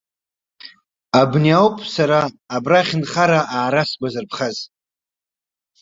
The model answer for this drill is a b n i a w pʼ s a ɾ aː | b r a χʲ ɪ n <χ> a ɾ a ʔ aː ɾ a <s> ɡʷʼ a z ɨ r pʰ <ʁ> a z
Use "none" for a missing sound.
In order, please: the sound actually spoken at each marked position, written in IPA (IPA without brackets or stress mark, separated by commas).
χ, s, χ